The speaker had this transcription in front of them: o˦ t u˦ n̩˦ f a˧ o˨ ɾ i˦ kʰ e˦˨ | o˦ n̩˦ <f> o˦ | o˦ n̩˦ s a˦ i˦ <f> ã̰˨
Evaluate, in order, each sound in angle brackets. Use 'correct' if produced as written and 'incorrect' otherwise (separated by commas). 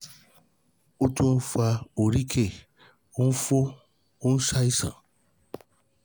correct, incorrect